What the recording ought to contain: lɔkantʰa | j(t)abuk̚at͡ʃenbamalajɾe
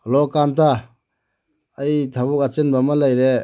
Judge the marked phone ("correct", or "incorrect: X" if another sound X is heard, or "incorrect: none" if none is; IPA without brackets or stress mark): incorrect: tʰ